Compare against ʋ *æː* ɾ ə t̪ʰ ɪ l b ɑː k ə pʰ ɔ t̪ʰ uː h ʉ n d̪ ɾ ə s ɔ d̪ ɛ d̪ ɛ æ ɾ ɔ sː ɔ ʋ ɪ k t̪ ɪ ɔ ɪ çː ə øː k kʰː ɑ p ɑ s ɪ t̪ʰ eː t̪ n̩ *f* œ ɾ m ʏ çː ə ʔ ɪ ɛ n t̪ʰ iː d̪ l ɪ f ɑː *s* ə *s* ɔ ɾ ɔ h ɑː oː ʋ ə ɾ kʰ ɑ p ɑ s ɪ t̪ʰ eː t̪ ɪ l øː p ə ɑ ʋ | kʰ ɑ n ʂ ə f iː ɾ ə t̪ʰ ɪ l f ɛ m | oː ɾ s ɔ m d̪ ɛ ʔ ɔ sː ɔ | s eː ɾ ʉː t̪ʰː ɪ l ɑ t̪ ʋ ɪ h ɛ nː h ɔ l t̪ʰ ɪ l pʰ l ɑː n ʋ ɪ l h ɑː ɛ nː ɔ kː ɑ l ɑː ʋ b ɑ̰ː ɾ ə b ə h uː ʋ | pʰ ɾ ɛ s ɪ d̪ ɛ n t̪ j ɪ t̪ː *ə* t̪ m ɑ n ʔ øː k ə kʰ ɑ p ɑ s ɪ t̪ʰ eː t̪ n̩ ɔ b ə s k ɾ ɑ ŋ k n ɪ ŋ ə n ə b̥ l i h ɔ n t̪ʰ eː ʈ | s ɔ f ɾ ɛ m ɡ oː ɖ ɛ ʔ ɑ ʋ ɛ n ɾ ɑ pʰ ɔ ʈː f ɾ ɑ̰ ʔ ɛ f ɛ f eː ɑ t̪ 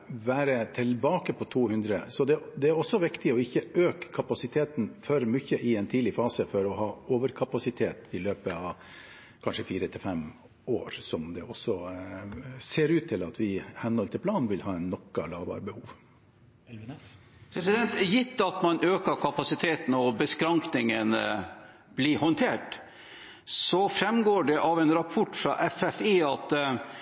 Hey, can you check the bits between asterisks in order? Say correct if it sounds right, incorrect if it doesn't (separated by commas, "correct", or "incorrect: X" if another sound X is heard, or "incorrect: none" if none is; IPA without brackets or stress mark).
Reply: correct, correct, correct, incorrect: f, incorrect: ɑ